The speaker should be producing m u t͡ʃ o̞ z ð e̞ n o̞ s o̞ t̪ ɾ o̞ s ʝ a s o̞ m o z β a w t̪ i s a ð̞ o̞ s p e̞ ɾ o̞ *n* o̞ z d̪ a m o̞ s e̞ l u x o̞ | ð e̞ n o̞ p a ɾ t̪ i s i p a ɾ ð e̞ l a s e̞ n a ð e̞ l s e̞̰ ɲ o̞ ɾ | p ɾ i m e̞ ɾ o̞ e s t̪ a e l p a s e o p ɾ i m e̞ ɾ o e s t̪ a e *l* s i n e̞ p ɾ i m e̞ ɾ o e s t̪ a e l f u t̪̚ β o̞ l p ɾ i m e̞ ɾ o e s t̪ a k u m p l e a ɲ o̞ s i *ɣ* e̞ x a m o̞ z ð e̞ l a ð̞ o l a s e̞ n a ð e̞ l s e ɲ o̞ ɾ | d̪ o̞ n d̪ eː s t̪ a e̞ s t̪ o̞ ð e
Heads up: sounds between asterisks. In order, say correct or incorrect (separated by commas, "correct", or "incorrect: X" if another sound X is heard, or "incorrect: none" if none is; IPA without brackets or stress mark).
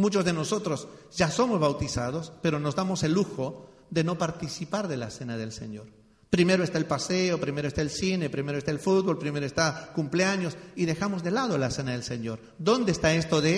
correct, correct, incorrect: ð